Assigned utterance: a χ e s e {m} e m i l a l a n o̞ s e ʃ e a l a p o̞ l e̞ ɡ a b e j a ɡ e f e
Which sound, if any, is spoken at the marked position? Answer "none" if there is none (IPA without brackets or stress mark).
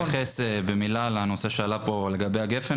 b